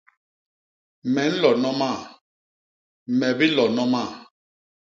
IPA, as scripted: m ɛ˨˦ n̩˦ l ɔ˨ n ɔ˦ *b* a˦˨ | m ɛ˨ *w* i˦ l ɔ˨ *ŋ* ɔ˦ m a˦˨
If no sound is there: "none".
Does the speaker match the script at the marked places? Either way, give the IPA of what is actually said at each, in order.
m, b, n

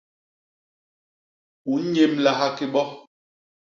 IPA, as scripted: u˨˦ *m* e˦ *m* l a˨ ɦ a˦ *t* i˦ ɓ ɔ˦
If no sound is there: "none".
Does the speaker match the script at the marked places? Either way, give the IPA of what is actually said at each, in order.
ɲ, m, k

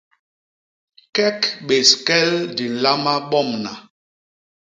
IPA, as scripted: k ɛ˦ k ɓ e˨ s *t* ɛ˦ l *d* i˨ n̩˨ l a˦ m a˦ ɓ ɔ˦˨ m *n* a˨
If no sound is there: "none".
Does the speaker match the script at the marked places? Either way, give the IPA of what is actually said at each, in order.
k, d, n

